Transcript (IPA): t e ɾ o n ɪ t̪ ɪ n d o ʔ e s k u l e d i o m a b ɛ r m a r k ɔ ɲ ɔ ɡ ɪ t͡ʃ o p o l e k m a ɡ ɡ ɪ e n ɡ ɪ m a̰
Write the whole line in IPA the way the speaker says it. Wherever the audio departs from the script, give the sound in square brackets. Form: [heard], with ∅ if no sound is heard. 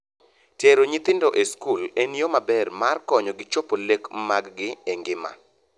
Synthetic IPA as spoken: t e ɾ o [ɲ] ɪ t̪ ɪ n d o ʔ e s k u l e [n] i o m a b ɛ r m a r k ɔ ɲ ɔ ɡ ɪ t͡ʃ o p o l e k m a ɡ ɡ ɪ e [ŋ] ɡ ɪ m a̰

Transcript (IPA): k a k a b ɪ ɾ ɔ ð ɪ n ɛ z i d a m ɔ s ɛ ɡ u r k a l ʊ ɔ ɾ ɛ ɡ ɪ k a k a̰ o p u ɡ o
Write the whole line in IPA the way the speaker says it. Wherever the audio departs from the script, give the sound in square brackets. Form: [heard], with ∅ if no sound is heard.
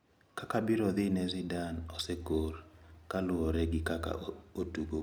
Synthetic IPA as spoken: k a k a b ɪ ɾ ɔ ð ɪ n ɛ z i d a [n] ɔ s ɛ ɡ [o] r k a l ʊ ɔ ɾ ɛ ɡ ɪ k a k a̰ o [t] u ɡ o

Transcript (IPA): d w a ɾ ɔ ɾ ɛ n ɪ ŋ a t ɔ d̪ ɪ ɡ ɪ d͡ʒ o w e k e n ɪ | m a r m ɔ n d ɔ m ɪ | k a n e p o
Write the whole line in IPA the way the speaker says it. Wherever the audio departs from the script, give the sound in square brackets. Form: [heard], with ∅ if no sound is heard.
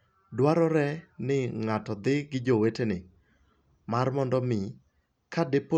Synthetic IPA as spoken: d w a ɾ ɔ ɾ ɛ n ɪ ŋ a t ɔ d̪ ɪ ɡ ɪ d͡ʒ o w e [t] e n ɪ | m a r m ɔ n d ɔ m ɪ | k a [d] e p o

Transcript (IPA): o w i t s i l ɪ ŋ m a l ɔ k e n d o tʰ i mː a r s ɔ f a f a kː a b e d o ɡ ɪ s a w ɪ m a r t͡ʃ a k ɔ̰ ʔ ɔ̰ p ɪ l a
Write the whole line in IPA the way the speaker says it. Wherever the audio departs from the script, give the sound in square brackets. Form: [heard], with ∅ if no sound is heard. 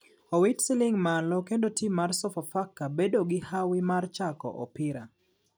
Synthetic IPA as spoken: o w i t s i l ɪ ŋ m a l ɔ k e n d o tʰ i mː a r s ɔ f a f a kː a b e d o ɡ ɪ [h] a w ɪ m a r t͡ʃ a k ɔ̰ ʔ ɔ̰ p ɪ [ɾ] a

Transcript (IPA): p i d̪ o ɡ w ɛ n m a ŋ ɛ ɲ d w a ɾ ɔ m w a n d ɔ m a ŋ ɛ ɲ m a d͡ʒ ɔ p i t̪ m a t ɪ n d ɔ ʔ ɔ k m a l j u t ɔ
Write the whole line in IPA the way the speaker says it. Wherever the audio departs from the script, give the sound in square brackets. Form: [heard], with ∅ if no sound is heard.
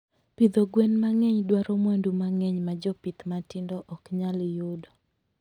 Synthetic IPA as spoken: p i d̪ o ɡ w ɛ n m a ŋ ɛ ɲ d w a ɾ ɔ m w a n d [u] m a ŋ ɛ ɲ m a d͡ʒ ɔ p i t̪ m a t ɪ n d ɔ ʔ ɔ k [ɲ] a l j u [d] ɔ

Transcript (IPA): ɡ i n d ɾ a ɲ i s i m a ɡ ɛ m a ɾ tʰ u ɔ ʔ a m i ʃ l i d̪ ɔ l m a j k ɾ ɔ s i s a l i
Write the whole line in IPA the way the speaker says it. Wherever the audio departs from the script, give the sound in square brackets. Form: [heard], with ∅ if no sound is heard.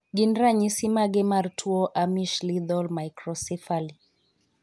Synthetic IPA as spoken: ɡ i n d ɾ a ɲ i s i m a ɡ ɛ m a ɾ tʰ u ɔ ʔ a m i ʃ l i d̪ ɔ l m a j k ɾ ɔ s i [f] a l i

